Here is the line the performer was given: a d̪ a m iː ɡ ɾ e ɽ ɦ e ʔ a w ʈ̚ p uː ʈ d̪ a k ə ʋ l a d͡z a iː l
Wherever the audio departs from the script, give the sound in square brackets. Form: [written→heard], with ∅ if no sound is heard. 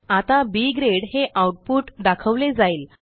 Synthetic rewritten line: a [d̪→t̪] a [m→b] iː ɡ ɾ e ɽ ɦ e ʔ a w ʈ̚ p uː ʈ d̪ a [k→kʰ] ə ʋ l [a→e] d͡z a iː l